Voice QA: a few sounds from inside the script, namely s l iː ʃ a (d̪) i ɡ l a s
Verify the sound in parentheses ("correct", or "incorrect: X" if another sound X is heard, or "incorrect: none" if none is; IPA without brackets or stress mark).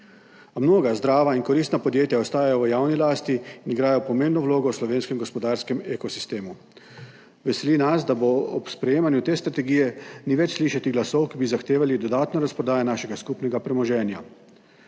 incorrect: t̪